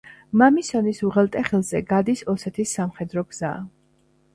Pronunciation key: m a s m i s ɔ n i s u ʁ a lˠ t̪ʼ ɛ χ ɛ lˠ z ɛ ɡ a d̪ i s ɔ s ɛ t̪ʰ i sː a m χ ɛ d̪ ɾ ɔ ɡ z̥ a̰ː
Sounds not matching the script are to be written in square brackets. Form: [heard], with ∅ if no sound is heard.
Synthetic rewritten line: m a [∅] m i s ɔ n i s u ʁ [ɛ] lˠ t̪ʼ ɛ χ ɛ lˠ z ɛ ɡ a d̪ i s ɔ s ɛ t̪ʰ i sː a m χ ɛ d̪ ɾ ɔ ɡ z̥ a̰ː